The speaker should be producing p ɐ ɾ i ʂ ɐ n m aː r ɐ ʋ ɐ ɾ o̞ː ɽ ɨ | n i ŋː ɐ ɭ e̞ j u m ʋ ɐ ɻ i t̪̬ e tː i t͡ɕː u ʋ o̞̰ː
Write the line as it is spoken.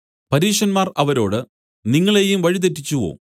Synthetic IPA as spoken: p ɐ ɾ iː ʂ ɐ n m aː r ɐ ʋ ɐ ɾ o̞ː ɽ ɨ | n i ŋː ɐ ɭ e̞ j u m ʋ ɐ ɻ i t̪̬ e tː i t͡ɕː u ʋ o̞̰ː

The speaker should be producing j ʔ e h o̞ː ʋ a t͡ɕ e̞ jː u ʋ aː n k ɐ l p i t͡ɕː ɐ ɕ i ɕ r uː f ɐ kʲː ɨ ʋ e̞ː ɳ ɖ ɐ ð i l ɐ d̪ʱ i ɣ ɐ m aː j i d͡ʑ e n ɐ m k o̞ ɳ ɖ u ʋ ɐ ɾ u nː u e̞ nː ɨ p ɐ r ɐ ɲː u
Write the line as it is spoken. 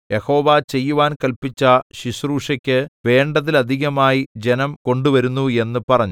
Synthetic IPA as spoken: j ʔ e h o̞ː ʋ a t͡ɕ e̞ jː u ʋ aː n k ɐ l p i t͡ɕː ɐ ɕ i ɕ r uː ʂ ɐ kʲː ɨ ʋ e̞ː ɳ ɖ ɐ ð i l ɐ d̪ʱ i ɣ ɐ m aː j i d͡ʑ e n ɐ m k o̞ ɳ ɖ u ʋ ɐ ɾ u nː u e̞ nː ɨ p ɐ r ɐ ɲː u

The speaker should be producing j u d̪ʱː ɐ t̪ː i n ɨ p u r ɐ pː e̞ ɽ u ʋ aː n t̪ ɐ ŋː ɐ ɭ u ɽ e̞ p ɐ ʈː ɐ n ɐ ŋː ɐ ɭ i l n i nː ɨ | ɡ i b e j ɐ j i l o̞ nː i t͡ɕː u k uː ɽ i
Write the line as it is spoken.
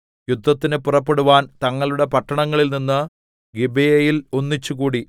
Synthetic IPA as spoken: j u d̪ʱː ɐ t̪ː i n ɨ p u r ɐ pː e̞ ɽ u ʋ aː n t̪ ɐ ŋː ɐ ɭ u ɽ e̞ p ɐ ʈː ɐ ɳ ɐ ŋː ɐ ɭ i l n i nː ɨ | ɡ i b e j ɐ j i l o̞ nː i t͡ɕː u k uː ɽ i

